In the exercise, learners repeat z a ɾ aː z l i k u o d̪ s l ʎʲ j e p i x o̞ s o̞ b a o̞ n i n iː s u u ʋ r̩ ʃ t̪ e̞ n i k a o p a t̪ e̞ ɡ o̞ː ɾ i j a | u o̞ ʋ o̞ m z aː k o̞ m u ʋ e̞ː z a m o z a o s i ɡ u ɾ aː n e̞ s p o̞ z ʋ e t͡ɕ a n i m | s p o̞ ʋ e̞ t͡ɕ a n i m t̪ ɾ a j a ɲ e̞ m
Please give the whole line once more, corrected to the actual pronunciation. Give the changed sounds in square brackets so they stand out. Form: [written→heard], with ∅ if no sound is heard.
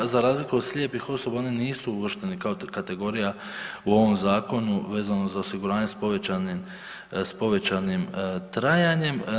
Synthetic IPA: z a ɾ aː z l i k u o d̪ s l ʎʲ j e p i x o̞ s o̞ b a o̞ n i n iː s u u ʋ r̩ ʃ t̪ e̞ n i k a o [p→k] a t̪ e̞ ɡ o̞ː ɾ i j a | u o̞ ʋ o̞ m z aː k o̞ [m→n] u ʋ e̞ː z a [m→n] o z a o s i ɡ u ɾ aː [n→ɲ] e̞ s p o̞ [z→∅] ʋ e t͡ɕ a n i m | s p o̞ ʋ e̞ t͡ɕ a n i m t̪ ɾ a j a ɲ e̞ m